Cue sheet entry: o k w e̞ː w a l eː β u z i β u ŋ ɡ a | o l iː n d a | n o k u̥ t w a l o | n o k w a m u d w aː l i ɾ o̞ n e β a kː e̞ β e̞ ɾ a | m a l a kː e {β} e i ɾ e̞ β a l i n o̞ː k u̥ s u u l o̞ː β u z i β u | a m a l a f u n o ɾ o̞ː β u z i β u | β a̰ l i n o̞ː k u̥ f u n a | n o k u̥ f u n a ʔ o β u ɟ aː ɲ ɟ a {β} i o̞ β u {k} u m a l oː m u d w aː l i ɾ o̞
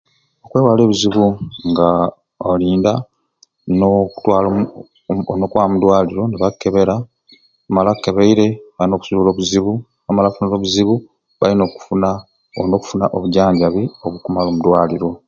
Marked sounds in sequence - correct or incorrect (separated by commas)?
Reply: correct, correct, correct